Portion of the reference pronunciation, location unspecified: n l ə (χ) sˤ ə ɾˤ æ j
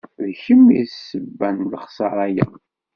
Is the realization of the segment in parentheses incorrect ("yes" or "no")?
no